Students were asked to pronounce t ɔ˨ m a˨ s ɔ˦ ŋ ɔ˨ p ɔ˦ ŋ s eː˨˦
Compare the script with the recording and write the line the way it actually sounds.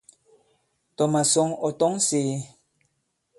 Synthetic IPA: t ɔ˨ m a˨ s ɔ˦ ŋ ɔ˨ t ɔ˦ ŋ s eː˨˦